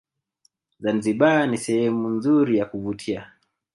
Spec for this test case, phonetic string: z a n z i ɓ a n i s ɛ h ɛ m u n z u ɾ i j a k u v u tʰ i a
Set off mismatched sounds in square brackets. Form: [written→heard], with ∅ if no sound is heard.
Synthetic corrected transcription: z a n z i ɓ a n i s ɛ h ɛ m u n z u ɾ i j a k u v u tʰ i a